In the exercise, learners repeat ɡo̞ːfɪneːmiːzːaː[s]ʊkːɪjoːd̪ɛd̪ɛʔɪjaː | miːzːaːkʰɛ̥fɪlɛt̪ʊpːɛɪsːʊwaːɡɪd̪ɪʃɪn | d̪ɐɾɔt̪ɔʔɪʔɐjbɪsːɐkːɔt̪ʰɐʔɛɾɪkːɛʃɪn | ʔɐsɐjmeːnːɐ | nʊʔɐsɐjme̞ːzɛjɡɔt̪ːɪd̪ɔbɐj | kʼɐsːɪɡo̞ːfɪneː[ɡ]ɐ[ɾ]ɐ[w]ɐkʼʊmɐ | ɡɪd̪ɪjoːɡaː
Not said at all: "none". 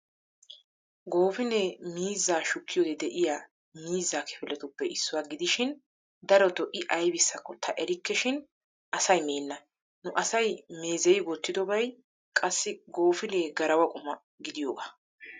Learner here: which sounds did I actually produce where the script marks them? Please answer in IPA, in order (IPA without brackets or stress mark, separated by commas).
ʃ, ɡ, ɾ, w